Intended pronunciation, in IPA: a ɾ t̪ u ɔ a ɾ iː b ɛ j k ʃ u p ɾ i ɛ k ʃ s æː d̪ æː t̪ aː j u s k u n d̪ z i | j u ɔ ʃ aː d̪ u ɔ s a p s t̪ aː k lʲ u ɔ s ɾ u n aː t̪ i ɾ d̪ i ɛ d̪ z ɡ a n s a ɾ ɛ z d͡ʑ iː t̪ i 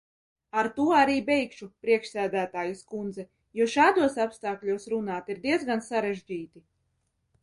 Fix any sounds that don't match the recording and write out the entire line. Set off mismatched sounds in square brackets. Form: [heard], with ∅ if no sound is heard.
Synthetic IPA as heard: a ɾ t̪ u ɔ a ɾ iː b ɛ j k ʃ u p ɾ i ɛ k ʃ s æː d̪ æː t̪ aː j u s k u n d̪ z [ɛ] | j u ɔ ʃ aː d̪ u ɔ s a p s t̪ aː k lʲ u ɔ s ɾ u n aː t̪ i ɾ d̪ i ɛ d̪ z ɡ a n s a ɾ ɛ [ʒ] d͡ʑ iː t̪ i